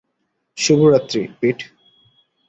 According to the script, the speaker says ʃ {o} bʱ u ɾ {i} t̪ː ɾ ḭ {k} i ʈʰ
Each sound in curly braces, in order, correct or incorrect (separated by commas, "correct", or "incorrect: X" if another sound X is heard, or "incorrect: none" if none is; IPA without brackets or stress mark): incorrect: u, incorrect: a, incorrect: p